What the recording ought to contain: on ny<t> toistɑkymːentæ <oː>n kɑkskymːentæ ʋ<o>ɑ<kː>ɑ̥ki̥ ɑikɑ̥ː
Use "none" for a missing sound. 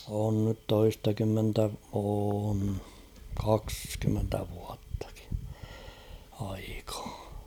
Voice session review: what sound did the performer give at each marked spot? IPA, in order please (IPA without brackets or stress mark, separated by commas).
t, oː, u, tː